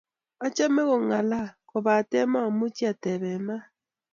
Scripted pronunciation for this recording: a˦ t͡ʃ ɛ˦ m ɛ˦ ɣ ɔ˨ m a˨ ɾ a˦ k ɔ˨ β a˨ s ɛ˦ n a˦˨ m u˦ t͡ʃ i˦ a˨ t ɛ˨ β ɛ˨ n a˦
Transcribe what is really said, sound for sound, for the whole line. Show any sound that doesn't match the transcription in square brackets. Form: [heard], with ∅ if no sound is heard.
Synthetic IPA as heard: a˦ t͡ʃ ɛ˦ m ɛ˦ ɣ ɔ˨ [ŋ] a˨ [l] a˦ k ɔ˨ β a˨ [t] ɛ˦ [m] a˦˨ m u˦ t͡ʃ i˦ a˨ t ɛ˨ β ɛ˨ [m] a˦